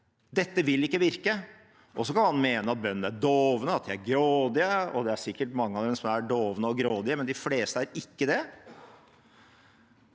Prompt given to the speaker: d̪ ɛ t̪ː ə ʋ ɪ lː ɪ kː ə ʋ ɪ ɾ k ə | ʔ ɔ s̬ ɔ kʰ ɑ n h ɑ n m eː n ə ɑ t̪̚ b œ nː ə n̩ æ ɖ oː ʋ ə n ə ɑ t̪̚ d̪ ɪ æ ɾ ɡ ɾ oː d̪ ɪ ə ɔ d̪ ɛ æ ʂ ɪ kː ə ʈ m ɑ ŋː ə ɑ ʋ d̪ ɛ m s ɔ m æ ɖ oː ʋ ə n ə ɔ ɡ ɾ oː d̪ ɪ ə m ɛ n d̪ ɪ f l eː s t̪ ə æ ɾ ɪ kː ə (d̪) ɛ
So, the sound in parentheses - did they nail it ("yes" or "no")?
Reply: yes